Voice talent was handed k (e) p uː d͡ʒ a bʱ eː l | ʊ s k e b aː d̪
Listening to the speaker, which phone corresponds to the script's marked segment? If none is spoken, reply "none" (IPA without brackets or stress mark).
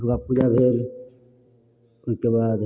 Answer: a